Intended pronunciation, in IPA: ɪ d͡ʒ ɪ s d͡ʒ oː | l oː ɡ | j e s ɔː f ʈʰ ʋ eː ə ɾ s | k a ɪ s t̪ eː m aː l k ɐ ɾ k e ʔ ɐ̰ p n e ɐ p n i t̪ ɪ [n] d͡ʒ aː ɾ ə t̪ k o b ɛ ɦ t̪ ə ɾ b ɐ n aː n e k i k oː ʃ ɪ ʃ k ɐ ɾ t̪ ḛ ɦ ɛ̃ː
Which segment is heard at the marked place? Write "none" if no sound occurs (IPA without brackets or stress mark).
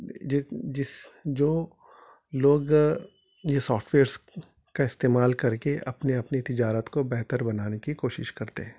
none